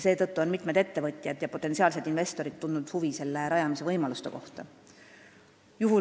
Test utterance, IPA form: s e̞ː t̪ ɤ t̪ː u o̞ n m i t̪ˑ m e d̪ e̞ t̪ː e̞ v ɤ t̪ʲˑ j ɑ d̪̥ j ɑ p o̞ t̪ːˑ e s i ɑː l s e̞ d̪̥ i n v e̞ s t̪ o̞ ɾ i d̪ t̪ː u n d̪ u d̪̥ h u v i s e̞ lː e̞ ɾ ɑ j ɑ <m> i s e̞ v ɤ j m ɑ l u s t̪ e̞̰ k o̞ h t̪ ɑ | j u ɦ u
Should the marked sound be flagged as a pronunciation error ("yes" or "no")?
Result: no